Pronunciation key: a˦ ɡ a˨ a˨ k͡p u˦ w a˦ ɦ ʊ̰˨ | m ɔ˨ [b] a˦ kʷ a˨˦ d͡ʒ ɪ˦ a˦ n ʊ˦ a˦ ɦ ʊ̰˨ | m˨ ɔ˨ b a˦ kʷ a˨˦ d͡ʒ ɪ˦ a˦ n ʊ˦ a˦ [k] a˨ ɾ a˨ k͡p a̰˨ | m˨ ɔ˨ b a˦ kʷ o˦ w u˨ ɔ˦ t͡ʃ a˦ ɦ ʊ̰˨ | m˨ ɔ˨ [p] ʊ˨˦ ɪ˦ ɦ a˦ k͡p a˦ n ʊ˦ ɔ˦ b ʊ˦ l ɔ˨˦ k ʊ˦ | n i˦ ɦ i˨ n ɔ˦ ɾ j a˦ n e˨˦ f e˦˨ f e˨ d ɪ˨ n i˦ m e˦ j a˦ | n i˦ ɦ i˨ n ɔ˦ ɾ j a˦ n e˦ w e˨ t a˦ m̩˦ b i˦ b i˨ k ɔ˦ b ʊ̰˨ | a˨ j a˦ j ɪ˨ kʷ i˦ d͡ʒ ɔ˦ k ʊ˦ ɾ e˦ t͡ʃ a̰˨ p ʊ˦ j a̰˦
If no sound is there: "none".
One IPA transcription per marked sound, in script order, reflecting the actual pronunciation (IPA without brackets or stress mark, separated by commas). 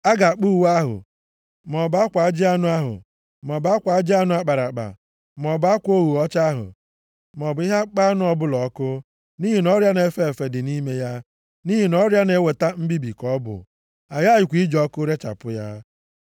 b, k͡p, b